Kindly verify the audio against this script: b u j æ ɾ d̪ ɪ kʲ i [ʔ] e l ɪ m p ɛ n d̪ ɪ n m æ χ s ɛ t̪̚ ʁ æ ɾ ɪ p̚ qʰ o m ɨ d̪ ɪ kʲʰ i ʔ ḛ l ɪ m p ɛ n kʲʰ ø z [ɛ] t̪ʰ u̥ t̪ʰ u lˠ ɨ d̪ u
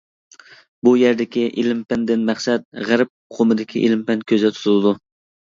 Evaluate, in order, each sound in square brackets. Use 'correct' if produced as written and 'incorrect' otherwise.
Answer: correct, correct

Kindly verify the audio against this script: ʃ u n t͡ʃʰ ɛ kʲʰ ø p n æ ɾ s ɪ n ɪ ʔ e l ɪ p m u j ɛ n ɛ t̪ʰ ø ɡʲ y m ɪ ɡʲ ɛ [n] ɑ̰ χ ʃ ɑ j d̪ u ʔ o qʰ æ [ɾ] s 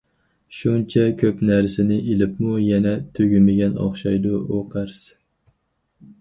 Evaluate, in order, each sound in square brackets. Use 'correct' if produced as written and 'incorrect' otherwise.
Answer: correct, correct

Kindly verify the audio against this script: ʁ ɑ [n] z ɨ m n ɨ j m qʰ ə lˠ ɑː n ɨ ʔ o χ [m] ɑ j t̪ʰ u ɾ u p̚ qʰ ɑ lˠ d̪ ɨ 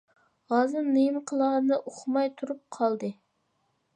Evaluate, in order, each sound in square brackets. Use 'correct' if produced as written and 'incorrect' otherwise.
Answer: incorrect, correct

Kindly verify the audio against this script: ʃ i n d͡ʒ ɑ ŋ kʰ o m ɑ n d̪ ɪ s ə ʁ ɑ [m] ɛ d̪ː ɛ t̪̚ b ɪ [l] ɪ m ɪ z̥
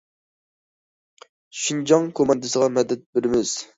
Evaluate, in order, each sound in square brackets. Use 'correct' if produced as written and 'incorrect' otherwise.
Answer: correct, incorrect

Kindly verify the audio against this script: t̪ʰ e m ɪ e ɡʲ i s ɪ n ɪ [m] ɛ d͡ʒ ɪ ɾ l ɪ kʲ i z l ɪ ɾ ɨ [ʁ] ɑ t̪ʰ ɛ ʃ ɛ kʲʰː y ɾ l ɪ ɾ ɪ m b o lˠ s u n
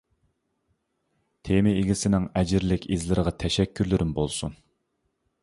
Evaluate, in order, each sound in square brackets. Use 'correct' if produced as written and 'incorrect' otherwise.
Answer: incorrect, correct

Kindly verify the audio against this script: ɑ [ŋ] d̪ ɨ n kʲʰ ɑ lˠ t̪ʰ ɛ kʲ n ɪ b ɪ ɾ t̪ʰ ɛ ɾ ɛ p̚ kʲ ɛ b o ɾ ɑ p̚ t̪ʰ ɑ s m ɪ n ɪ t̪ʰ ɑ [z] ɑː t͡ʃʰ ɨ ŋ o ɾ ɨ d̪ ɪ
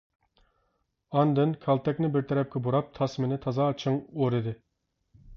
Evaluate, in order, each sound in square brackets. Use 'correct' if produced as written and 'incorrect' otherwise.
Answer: incorrect, correct

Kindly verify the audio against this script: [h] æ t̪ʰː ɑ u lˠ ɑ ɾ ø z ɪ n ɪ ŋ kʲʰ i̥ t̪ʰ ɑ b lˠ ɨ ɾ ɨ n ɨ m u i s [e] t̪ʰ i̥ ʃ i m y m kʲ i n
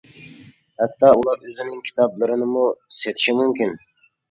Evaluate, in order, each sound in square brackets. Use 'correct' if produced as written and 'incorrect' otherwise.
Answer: correct, correct

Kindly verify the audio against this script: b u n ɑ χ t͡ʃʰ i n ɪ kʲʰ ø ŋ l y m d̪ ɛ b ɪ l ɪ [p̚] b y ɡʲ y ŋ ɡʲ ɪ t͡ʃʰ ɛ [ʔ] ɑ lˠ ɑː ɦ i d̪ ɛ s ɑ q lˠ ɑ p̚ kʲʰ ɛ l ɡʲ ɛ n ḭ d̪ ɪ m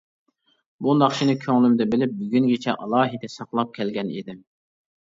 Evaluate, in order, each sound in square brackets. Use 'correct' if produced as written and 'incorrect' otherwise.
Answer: correct, correct

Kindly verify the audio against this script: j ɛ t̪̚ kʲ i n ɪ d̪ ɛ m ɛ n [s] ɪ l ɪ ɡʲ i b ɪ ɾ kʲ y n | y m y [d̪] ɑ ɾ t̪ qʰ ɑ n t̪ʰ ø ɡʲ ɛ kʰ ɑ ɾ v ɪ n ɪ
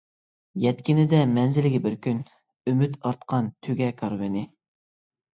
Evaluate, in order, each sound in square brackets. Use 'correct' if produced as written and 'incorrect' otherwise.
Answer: incorrect, incorrect

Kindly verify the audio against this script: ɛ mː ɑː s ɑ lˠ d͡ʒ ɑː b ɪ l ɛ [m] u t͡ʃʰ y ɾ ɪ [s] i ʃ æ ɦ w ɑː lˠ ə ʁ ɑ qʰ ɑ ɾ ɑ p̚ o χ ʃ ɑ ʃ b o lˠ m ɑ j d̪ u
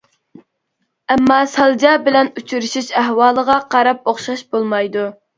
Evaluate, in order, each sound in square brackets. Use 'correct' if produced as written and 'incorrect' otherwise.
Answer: incorrect, incorrect

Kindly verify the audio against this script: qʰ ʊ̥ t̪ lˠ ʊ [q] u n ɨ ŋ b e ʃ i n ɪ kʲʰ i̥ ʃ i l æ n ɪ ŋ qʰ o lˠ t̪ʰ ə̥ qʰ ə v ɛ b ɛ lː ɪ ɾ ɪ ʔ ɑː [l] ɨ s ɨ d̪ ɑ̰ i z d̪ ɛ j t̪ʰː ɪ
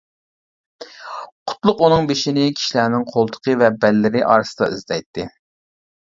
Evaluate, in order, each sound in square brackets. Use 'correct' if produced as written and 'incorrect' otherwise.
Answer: correct, incorrect

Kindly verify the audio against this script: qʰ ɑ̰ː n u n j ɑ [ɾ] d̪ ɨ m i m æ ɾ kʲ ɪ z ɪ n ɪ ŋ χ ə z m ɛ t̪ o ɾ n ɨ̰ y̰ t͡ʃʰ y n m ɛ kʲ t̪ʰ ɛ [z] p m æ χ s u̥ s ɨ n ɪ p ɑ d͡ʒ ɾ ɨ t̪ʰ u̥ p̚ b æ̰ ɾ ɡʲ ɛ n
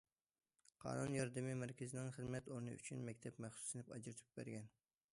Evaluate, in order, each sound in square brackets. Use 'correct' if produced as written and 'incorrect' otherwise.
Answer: correct, incorrect

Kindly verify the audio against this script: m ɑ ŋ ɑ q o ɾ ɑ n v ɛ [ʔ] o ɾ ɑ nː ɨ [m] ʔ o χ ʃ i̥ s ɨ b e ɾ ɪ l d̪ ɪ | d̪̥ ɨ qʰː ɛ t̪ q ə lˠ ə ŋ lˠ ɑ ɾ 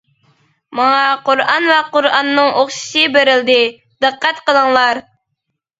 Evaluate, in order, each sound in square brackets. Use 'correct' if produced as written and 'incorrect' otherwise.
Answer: incorrect, incorrect

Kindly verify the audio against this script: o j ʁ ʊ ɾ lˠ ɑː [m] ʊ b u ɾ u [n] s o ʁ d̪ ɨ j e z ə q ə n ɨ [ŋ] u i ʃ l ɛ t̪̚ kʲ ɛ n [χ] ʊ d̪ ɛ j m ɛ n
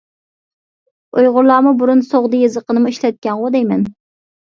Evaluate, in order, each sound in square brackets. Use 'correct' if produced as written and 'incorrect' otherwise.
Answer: correct, correct, incorrect, incorrect

